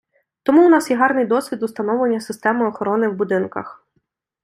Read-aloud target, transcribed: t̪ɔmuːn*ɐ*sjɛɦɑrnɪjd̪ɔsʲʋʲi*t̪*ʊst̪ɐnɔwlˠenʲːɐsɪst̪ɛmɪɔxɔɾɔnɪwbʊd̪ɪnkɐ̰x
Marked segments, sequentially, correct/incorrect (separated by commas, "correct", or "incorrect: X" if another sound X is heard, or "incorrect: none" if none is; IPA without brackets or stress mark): incorrect: ɑ, incorrect: d̪